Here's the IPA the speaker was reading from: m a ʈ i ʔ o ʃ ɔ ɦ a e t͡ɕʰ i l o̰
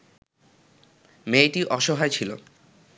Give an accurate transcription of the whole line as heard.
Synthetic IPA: m e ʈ i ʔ ɔ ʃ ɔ ɦ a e t͡ɕʰ i l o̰